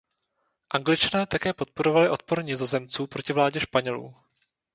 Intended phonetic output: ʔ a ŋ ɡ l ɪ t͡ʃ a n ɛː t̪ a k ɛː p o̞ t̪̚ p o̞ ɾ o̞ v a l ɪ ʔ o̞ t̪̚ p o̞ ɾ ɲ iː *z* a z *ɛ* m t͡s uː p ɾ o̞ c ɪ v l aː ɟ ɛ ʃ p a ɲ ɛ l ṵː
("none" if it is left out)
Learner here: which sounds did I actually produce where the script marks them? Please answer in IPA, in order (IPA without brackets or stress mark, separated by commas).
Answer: z, ɛ